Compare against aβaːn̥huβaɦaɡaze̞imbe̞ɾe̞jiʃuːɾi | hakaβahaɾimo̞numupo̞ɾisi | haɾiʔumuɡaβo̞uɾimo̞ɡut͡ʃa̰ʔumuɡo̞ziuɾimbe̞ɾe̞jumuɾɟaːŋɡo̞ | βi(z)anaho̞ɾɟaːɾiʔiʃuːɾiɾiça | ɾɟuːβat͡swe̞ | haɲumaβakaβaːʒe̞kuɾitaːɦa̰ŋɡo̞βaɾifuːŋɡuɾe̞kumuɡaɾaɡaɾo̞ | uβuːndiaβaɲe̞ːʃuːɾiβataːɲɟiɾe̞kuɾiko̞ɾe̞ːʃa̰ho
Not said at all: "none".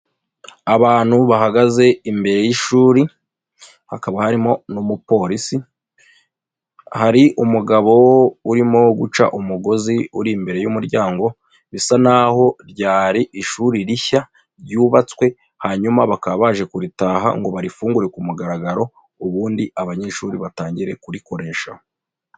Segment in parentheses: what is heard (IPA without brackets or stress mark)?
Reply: s